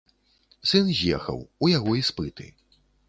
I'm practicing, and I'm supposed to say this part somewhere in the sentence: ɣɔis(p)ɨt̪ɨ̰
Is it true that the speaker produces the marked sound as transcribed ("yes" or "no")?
yes